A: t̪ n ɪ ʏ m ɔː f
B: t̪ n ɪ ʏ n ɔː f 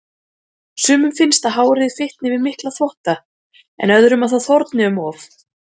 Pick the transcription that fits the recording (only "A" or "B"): A